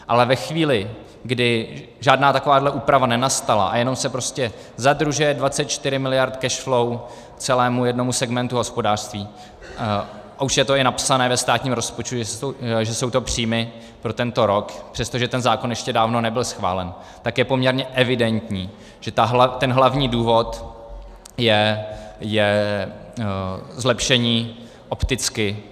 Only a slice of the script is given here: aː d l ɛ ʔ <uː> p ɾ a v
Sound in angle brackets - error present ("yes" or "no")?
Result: no